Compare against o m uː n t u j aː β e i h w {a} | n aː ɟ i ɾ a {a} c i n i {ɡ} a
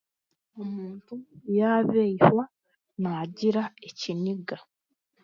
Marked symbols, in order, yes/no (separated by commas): yes, no, yes